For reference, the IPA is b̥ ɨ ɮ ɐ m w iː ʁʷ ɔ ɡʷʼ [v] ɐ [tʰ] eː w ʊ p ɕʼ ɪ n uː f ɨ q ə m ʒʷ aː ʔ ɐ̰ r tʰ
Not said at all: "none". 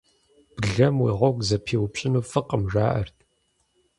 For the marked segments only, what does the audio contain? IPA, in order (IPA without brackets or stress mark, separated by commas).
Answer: z, pʰ